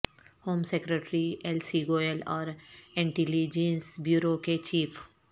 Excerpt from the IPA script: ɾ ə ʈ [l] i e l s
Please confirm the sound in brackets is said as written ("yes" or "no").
no